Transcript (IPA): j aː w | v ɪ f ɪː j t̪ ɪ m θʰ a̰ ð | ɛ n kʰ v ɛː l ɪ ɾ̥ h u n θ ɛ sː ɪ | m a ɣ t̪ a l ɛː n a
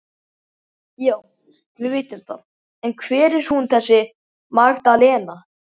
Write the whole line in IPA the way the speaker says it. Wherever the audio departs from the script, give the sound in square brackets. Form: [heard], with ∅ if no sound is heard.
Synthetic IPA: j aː w | v ɪ [v] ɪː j t̪ ɪ m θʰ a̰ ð | ɛ n kʰ v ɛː [ɾ] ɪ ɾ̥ h u n θ ɛ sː ɪ | m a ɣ t̪ a l ɛː n a

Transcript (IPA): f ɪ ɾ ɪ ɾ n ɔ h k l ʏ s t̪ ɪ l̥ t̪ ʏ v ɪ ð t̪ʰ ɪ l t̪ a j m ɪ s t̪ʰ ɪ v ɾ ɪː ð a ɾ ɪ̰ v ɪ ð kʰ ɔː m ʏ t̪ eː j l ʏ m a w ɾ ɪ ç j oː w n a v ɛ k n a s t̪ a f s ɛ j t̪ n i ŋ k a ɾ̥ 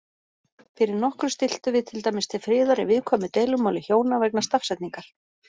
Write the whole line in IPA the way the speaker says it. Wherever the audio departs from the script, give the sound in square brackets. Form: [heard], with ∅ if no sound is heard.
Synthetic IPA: f ɪ ɾ ɪ ɾ n ɔ h k [ɾ] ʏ s t̪ ɪ l̥ t̪ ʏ v ɪ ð t̪ʰ ɪ l t̪ a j m ɪ s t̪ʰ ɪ [f] ɾ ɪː ð a ɾ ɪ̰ v ɪ ð kʰ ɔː m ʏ t̪ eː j l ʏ m a w [l] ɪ ç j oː w n a v ɛ k n a s t̪ a f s ɛ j t̪ n i ŋ k a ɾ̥

